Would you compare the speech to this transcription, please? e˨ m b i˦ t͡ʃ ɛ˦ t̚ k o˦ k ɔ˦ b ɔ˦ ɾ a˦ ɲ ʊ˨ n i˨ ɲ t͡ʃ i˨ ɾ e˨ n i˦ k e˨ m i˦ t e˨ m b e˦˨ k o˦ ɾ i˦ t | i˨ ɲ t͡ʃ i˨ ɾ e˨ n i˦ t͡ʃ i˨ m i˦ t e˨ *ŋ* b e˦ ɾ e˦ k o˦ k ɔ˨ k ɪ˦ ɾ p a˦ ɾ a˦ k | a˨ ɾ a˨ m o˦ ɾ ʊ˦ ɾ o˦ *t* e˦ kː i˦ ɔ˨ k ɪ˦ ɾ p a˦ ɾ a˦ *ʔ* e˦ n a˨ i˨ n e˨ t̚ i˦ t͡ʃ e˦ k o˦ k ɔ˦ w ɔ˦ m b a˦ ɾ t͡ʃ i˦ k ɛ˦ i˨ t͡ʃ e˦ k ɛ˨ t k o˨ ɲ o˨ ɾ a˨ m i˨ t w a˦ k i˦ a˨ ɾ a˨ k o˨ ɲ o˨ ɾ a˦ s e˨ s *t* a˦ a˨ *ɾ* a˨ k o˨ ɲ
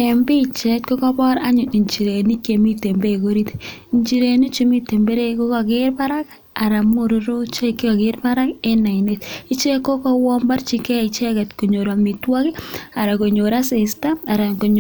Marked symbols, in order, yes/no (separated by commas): no, no, no, yes, yes